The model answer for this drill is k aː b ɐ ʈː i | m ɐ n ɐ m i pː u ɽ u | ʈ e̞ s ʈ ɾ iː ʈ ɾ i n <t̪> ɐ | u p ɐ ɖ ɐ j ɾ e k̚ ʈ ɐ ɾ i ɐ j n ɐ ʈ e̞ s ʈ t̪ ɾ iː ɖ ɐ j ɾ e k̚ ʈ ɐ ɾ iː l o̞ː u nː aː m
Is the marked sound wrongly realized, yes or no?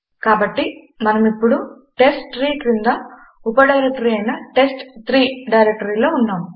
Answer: yes